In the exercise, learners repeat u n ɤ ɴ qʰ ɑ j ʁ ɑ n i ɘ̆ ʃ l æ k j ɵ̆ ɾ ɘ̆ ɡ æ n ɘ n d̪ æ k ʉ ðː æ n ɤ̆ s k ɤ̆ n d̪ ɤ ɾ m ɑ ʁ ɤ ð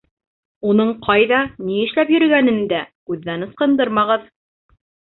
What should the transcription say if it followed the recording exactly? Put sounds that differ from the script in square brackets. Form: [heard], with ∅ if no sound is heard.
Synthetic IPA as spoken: u n ɤ ɴ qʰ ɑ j [ð] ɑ n i ɘ̆ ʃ l æ [p] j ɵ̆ ɾ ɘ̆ ɡ æ n ɘ n d̪ æ k ʉ ðː æ n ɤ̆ s [q] ɤ̆ n d̪ ɤ ɾ m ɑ ʁ ɤ ð